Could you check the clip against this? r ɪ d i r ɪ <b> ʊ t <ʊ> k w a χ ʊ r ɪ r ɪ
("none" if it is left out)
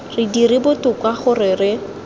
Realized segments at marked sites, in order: b, ʊ

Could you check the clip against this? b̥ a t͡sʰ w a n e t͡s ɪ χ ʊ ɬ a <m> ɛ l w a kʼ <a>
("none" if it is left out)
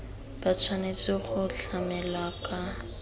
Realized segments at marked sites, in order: m, a

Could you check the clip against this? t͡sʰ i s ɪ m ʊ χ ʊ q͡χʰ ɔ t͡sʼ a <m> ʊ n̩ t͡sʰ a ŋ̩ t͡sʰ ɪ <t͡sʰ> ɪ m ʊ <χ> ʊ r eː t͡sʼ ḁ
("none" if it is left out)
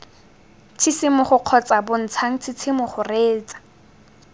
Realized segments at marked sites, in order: b, t͡sʰ, χ

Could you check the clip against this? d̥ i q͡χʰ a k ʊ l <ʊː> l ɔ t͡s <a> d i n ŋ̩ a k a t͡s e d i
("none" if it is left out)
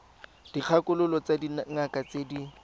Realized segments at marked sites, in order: ʊ, a

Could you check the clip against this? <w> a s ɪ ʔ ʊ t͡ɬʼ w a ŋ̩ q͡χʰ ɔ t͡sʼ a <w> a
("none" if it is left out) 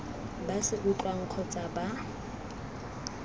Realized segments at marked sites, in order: b, b

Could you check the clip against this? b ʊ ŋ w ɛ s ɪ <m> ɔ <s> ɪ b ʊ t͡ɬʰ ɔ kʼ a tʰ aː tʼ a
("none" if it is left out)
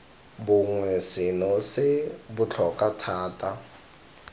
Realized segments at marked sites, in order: n, s

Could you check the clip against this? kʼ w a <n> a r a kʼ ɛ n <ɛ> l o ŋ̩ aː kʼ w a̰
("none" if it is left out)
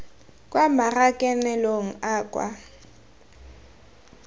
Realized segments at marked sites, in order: m, ɛ

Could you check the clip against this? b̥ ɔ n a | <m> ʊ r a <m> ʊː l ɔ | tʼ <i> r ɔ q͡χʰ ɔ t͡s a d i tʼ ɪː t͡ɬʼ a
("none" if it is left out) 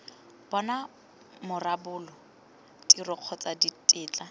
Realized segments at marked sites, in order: m, b, i

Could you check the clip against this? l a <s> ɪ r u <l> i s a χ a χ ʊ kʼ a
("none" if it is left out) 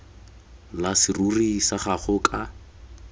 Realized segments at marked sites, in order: s, r

